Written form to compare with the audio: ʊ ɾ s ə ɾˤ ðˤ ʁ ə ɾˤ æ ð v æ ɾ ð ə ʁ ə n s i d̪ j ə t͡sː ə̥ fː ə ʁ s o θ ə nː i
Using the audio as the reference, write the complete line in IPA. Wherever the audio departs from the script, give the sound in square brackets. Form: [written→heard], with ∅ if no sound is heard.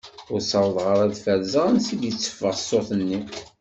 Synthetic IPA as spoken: ʊ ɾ s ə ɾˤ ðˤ ʁ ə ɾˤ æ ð [v→f] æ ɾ [ð→z] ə ʁ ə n s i d̪ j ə t͡sː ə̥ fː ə ʁ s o θ ə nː i